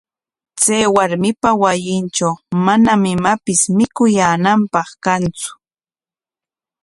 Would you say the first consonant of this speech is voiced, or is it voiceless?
voiceless